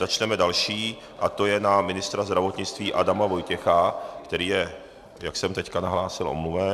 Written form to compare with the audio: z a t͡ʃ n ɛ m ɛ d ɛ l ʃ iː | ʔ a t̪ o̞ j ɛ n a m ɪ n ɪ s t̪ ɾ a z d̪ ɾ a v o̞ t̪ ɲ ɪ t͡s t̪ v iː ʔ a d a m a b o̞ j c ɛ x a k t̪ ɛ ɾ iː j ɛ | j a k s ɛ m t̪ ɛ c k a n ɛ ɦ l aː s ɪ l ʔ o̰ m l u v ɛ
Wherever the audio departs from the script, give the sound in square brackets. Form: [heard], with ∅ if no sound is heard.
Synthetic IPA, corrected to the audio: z a t͡ʃ n ɛ m ɛ d [a] l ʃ iː | ʔ a t̪ o̞ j ɛ n a m ɪ n ɪ s t̪ ɾ a z d̪ ɾ a v o̞ t̪ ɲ ɪ t͡s t̪ v iː ʔ a d a m a [v] o̞ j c ɛ x a k t̪ ɛ ɾ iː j ɛ | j a k s ɛ m t̪ ɛ c k a n [a] ɦ l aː s ɪ l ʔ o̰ m l u v ɛ